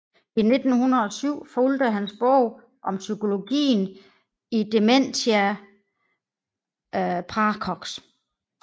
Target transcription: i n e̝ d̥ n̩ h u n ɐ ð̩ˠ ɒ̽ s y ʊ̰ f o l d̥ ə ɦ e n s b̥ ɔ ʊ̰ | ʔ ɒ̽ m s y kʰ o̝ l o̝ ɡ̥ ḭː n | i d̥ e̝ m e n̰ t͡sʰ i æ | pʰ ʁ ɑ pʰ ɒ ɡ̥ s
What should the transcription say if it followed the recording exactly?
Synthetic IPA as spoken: i n e̝ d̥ n̩ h u n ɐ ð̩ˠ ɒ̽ s y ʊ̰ f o l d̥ ə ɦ æ n s b̥ ɔ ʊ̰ | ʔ ɒ̽ m s y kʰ o̝ l o̝ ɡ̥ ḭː n | i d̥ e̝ m e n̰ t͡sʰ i æ | pʰ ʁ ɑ kʰ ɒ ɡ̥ s